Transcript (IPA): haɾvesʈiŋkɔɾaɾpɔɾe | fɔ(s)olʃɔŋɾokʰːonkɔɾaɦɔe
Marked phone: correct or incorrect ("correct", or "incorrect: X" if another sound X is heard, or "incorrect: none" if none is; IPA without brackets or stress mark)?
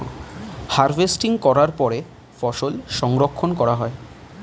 incorrect: ʃ